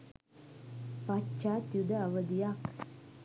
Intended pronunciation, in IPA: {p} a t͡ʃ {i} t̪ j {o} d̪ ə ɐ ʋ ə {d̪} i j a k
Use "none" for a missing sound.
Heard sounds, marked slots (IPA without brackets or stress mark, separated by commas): p, a, u, d̪